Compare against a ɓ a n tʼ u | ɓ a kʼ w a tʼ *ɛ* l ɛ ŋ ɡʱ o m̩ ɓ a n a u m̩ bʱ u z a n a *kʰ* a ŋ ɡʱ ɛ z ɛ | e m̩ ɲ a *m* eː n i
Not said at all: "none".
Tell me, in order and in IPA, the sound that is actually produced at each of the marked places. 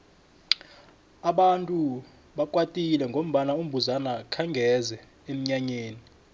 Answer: i, kʰ, ɲ

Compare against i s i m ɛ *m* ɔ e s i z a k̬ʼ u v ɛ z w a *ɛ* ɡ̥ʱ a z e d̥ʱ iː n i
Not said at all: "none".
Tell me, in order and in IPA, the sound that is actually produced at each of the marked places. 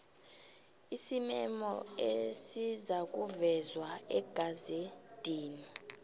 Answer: m, ɛ

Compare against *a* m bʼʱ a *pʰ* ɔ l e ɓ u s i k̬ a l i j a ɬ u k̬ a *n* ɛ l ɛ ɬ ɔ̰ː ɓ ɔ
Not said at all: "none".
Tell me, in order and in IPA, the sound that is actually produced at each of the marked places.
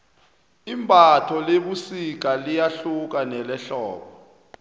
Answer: i, tʰ, n

